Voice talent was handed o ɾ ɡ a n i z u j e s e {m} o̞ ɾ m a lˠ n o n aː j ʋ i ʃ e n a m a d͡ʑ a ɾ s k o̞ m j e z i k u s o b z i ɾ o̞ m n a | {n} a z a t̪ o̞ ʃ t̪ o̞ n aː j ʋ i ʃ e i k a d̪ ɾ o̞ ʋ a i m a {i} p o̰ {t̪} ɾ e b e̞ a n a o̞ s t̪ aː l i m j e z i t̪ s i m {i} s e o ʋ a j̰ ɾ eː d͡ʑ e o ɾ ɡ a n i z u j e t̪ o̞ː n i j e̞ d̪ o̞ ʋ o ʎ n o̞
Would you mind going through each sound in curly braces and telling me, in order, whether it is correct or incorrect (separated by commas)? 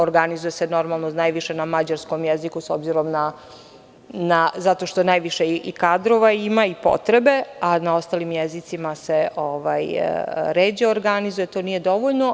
incorrect, correct, correct, correct, incorrect